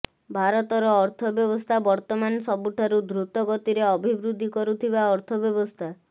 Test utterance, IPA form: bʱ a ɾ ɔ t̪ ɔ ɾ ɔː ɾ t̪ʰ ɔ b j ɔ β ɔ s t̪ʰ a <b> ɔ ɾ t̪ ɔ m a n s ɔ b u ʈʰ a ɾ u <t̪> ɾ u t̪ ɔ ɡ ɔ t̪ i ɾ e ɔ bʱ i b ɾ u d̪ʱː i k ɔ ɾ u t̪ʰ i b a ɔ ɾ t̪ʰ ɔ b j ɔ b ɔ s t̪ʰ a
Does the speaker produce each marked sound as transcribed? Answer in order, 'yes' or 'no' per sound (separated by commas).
yes, no